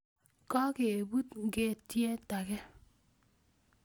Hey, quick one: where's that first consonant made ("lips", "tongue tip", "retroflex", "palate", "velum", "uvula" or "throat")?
velum